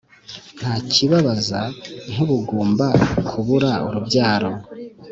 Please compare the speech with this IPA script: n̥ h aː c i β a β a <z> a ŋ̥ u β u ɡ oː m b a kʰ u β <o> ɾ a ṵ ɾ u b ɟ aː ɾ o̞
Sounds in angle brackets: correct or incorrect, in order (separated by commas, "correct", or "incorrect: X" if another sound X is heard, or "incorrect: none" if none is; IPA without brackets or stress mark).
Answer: correct, incorrect: u